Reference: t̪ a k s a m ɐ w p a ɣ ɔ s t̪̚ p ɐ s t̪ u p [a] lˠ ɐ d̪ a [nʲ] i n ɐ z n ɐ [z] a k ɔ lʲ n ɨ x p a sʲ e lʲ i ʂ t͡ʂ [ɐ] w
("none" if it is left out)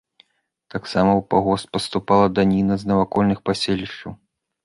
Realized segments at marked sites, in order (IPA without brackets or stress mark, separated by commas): a, nʲ, v, ɐ